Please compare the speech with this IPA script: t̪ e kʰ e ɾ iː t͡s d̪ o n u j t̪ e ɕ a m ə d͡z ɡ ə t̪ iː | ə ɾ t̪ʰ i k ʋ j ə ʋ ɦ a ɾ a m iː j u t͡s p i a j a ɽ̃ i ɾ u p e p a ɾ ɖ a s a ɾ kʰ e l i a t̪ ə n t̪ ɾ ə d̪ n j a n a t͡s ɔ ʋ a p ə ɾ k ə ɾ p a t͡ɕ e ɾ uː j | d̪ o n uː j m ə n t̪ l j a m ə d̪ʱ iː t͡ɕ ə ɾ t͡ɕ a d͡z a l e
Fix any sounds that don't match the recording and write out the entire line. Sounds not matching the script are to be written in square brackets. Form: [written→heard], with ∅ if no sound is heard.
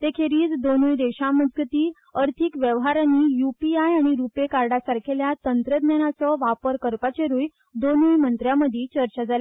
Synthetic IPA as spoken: t̪ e kʰ e ɾ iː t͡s d̪ o n u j [t̪→d̪] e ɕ a m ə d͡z ɡ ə t̪ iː | ə ɾ t̪ʰ i k ʋ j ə ʋ ɦ a ɾ a [m→n] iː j u [t͡s→∅] p i a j a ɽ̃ i ɾ u p e [p→k] a ɾ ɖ a s a ɾ kʰ e l [i→j] a t̪ ə n t̪ ɾ ə d̪ n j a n a t͡s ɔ ʋ a p ə ɾ k ə ɾ p a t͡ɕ e ɾ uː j | d̪ o n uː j m ə n t̪ [l→ɾ] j a m ə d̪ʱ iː t͡ɕ ə ɾ t͡ɕ a d͡z a l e